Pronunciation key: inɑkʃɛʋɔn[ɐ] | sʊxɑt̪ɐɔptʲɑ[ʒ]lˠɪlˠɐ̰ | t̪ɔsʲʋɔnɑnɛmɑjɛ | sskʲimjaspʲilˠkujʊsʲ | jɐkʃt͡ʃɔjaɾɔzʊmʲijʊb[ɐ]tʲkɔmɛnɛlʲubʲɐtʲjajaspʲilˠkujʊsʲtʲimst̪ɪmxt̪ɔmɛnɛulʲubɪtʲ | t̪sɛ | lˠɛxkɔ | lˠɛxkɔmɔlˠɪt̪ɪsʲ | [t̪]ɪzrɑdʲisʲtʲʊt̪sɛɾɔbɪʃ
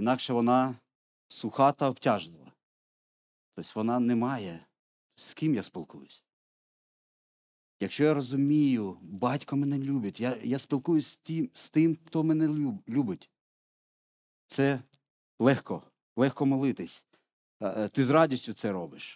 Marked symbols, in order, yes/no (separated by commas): no, yes, no, yes